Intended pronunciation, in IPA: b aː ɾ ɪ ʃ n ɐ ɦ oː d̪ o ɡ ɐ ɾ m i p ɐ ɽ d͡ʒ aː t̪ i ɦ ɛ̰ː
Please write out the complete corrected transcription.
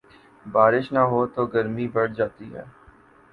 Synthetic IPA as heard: b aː ɾ ɪ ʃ n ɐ ɦ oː t̪ o ɡ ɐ ɾ m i b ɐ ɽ d͡ʒ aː t̪ i ɦ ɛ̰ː